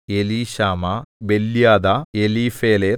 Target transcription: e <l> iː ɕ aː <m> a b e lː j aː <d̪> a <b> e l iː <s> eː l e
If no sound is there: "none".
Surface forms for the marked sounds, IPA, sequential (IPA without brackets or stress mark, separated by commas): l, m, d̪, none, f